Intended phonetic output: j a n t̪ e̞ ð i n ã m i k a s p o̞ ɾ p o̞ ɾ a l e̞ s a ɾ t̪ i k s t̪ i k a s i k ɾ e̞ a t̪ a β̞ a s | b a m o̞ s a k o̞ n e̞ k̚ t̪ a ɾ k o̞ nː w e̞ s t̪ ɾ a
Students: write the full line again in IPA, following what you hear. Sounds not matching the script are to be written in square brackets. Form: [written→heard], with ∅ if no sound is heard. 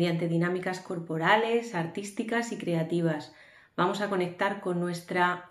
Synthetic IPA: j a n t̪ e̞ ð i n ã m i k a s [p→k] o̞ ɾ p o̞ ɾ a l e̞ s a ɾ t̪ i [k→∅] s t̪ i k a s i k ɾ e̞ a t̪ [a→i] β̞ a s | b a m o̞ s a k o̞ n e̞ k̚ t̪ a ɾ k o̞ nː w e̞ s t̪ ɾ a